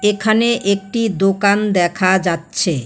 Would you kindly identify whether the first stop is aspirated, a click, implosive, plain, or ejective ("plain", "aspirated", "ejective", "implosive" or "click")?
aspirated